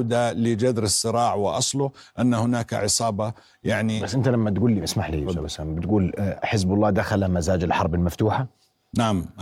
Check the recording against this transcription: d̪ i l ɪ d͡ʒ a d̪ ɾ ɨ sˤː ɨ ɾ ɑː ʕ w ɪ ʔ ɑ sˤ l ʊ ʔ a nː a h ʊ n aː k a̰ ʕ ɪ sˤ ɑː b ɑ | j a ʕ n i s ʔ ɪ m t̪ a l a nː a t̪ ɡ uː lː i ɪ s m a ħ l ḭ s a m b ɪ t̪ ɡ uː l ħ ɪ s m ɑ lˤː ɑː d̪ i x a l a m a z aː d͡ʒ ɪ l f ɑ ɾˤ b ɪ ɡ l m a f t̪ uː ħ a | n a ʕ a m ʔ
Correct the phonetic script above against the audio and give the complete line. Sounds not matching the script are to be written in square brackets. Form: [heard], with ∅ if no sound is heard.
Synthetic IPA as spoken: d̪ [a] l ɪ d͡ʒ a d̪ ɾ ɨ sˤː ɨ ɾ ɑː ʕ w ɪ ʔ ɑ sˤ l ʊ ʔ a nː a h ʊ n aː k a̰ ʕ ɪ sˤ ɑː b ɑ | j a ʕ n i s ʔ ɪ [n] t̪ a l a [mː] a t̪ ɡ uː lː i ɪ s m a ħ l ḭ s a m b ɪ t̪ ɡ uː l ħ ɪ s [b] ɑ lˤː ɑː d̪ [a] x a l a m a z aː d͡ʒ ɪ l [ħ] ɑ ɾˤ b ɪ [∅] l m a f t̪ uː ħ a | n a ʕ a m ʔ